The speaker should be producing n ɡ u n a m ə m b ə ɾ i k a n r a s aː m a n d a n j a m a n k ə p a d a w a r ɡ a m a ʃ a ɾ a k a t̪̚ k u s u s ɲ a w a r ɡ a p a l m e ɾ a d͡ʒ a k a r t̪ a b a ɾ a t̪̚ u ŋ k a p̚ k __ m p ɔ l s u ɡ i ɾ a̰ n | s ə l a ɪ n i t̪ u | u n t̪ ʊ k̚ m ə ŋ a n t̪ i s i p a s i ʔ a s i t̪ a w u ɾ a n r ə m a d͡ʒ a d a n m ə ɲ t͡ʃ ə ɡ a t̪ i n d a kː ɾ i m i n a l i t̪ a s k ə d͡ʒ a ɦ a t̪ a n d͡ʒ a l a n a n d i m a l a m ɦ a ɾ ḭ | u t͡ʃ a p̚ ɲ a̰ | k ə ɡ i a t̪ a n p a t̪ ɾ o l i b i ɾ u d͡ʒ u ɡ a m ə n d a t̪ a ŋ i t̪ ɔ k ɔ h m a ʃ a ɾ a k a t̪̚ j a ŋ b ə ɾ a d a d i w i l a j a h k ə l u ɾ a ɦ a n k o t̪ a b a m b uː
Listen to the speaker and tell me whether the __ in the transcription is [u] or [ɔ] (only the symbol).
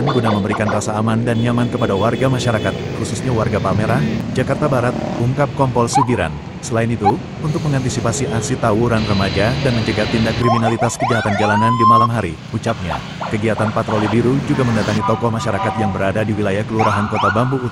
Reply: ɔ